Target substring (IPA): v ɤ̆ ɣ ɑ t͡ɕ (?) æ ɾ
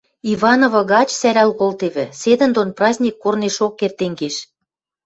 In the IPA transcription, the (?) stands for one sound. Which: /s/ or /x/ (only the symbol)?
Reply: s